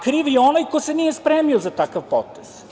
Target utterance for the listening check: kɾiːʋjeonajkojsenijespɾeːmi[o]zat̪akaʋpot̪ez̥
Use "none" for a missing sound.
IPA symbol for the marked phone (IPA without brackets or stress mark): o